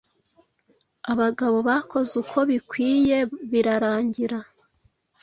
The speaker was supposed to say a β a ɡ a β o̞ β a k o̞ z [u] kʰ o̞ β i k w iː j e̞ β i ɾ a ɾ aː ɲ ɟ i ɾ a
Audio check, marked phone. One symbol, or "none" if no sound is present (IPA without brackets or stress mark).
u